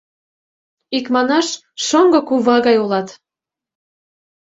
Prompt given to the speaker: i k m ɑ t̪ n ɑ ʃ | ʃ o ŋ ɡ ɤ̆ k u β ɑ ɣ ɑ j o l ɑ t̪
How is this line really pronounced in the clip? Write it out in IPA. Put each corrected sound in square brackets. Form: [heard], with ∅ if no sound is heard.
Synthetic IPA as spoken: i k m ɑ [∅] n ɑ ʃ | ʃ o ŋ ɡ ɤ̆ k u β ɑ ɣ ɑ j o l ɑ t̪